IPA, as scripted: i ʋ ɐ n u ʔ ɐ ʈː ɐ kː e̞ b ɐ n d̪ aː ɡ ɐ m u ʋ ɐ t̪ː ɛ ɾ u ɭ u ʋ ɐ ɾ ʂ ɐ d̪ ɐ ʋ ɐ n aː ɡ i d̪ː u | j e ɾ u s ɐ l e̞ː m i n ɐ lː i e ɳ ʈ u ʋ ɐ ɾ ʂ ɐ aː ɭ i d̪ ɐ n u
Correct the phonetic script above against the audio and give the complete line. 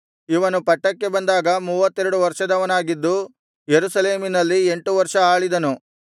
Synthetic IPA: i ʋ ɐ n u p ɐ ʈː ɐ kː e̞ b ɐ n d̪ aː ɡ ɐ m uː ʋ ɐ t̪ː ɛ ɾ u ɽ u ʋ ɐ ɾ ʂ ɐ d̪ ɐ ʋ ɐ n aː ɡ i d̪ː u | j e ɾ u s ɐ l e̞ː m i n ɐ lː i e ɳ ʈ u ʋ ɐ ɾ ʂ ɐ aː ɭ i d̪ ɐ n u